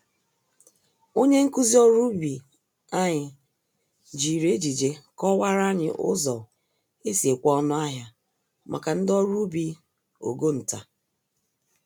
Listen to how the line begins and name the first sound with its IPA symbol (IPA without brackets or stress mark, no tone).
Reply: o